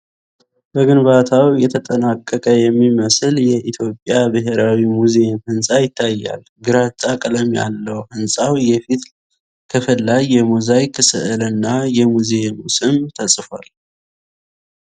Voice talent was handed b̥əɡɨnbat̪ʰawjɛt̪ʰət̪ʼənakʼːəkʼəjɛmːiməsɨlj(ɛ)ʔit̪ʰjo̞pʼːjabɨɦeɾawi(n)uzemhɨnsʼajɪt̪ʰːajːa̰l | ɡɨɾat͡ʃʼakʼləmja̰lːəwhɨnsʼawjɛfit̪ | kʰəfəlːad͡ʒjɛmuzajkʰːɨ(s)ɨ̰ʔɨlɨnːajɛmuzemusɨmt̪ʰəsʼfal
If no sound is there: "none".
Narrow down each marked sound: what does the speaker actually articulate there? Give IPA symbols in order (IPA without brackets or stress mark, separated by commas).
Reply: ɛ, m, s